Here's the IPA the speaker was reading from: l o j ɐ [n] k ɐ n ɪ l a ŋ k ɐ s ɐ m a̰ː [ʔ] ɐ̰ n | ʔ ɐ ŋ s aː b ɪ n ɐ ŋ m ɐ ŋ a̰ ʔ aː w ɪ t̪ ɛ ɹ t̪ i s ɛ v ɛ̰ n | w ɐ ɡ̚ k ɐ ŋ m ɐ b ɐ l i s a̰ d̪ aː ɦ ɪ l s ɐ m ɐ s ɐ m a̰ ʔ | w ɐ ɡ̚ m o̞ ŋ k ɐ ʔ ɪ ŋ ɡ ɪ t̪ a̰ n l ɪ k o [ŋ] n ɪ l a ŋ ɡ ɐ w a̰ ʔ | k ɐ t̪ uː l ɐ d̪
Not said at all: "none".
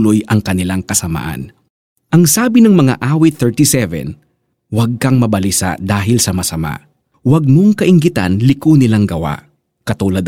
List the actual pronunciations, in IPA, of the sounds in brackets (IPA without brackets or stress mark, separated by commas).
ŋ, ʔ, none